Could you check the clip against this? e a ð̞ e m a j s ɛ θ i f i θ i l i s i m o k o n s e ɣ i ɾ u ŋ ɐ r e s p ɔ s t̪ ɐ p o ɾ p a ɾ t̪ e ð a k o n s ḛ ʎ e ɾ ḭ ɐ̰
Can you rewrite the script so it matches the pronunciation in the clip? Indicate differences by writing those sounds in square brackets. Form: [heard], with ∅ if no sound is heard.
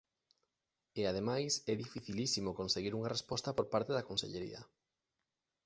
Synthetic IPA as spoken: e a ð̞ e m a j s ɛ [ð] i f i θ i l i s i m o k o n s e ɣ i ɾ u ŋ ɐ r e s p ɔ s t̪ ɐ p o ɾ p a ɾ t̪ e ð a k o n s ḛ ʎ e ɾ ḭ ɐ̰